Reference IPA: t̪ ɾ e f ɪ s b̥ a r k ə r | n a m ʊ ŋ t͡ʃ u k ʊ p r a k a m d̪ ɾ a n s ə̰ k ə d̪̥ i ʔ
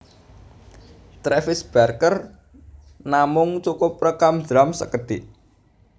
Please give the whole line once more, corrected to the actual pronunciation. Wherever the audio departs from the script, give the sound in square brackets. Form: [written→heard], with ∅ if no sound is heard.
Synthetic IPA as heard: t̪ ɾ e f ɪ s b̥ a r k ə r | n a m ʊ ŋ t͡ʃ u k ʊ p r [a→ə] k a m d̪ ɾ a [n→m] s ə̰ k ə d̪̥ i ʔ